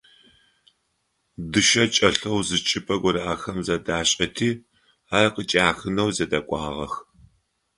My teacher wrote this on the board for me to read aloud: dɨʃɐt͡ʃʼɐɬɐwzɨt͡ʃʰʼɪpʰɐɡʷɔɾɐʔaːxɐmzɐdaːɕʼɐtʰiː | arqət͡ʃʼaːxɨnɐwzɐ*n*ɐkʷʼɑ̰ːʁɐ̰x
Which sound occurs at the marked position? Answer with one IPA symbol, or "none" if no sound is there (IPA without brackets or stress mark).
d